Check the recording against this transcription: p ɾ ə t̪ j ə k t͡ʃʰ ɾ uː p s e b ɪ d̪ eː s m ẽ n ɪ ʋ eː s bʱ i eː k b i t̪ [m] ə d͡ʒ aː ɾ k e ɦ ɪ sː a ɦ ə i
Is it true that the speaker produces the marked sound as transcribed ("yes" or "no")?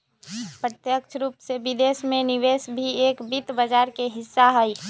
no